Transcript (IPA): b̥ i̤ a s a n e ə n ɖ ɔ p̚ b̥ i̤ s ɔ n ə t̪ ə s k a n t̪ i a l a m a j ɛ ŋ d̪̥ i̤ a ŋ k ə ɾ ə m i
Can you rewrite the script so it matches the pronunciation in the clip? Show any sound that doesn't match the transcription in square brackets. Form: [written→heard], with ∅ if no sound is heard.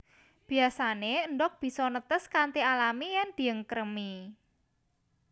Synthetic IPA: b̥ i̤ a s a n e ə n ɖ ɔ [p̚→k̚] b̥ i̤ s ɔ n ə t̪ ə s k a n t̪ i a l a m [a→i] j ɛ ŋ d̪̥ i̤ [a→ə] ŋ k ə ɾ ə m i